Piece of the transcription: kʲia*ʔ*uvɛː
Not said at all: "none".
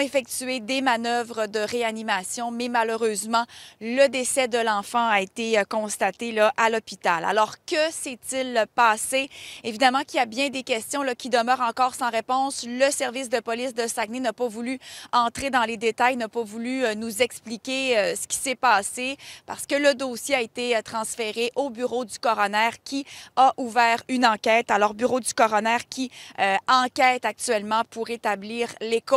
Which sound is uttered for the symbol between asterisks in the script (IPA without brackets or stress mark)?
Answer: ʔ